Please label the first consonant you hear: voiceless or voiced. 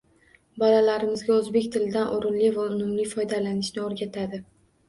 voiced